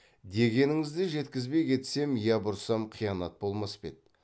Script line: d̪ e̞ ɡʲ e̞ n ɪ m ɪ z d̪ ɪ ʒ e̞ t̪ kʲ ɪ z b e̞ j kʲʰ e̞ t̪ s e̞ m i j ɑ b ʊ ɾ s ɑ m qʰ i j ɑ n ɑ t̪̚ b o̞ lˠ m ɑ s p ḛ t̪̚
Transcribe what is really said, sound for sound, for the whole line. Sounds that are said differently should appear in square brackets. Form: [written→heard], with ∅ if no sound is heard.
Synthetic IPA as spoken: d̪ e̞ ɡʲ e̞ n ɪ [m→ŋ] ɪ z d̪ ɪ ʒ e̞ t̪ kʲ ɪ z b e̞ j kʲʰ e̞ t̪ s e̞ m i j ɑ b ʊ ɾ s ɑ m qʰ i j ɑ n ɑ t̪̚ b o̞ lˠ m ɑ s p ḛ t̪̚